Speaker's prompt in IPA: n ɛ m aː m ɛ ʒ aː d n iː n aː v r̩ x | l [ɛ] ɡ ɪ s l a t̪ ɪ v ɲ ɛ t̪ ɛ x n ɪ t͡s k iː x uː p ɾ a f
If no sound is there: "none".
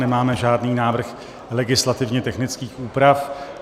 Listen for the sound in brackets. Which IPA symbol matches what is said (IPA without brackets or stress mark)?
ɛ